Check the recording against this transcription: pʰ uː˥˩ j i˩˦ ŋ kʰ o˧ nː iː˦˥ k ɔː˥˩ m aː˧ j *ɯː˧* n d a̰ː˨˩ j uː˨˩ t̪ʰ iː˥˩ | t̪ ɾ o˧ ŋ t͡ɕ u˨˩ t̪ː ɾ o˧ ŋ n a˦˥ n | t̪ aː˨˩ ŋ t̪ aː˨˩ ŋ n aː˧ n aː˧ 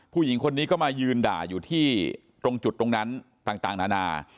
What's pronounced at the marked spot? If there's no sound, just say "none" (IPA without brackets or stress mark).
ɯː˧